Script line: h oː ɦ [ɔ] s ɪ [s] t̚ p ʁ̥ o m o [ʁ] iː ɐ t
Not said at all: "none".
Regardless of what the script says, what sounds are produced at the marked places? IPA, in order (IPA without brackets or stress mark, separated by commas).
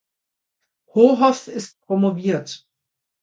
ɔ, s, v